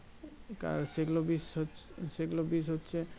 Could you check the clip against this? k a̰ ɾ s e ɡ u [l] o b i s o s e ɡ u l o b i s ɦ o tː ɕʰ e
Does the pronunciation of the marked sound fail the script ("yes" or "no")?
no